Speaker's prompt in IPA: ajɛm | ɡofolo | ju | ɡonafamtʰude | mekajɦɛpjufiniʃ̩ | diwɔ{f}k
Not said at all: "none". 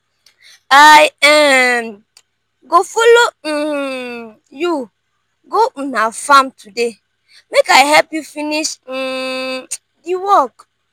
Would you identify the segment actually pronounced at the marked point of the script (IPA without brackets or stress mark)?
none